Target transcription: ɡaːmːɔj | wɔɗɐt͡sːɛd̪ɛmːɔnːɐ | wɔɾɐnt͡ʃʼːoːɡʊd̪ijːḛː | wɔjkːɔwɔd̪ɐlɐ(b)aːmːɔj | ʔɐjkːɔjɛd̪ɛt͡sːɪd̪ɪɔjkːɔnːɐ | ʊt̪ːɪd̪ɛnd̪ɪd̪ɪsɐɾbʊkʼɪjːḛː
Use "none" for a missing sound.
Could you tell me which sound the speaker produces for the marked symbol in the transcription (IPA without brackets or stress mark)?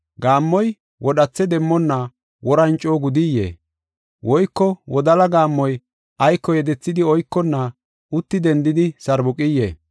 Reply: ɡ